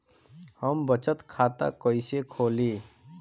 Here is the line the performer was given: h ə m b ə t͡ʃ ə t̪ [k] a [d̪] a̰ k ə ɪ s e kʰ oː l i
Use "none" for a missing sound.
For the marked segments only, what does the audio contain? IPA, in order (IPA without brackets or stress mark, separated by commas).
kʰ, t̪